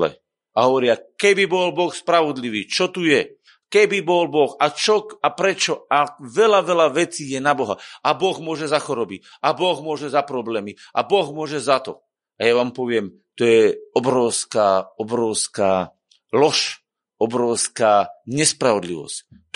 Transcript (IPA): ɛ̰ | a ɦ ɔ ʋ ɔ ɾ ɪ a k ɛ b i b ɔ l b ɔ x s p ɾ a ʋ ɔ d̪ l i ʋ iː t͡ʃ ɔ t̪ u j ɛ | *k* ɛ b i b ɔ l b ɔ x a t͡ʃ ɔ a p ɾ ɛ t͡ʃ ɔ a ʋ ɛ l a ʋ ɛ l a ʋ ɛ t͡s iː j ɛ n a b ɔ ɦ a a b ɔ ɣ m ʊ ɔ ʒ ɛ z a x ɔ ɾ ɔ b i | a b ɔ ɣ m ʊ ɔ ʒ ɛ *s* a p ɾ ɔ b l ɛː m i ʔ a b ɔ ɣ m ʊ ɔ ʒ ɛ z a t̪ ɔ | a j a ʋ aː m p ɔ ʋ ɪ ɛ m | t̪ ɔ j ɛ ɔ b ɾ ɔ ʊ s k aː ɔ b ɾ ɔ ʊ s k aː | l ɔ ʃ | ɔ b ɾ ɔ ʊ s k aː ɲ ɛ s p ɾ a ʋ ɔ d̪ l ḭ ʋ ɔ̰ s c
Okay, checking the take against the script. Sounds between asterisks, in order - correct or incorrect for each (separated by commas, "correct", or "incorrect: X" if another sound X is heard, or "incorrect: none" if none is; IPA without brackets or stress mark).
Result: correct, incorrect: z